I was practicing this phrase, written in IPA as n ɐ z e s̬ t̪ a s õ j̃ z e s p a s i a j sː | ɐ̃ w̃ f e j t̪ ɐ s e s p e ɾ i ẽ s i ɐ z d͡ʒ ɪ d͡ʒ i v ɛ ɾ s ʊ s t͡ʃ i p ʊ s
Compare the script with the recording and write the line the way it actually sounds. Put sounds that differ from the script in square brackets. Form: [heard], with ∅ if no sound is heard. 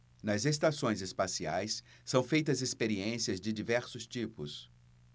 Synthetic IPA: n ɐ z e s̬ t̪ a s õ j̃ z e s p a s i a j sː | ɐ̃ w̃ f e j t̪ ɐ [z] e s p e ɾ i ẽ s i ɐ z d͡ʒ ɪ d͡ʒ i v ɛ ɾ s ʊ s t͡ʃ i p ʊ s